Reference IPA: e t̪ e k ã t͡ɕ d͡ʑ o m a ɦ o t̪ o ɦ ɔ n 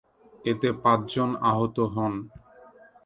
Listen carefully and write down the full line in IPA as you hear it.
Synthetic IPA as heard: e t̪ e p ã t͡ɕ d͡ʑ o n a ɦ o t̪ o ɦ ɔ n